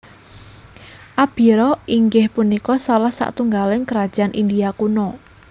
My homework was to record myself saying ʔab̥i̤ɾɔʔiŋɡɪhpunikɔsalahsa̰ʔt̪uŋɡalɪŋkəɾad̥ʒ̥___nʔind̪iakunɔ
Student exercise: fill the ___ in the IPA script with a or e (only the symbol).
a